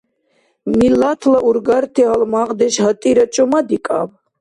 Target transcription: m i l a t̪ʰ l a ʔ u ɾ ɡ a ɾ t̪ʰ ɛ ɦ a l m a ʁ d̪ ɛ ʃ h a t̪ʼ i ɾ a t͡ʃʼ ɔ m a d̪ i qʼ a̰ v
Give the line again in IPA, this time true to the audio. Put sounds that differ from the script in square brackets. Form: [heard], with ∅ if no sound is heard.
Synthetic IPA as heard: m i l a t̪ʰ l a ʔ u ɾ ɡ a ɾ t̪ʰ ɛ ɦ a l m a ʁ d̪ ɛ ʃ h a t̪ʼ i ɾ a t͡ʃʼ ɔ m a d̪ i [kʼ] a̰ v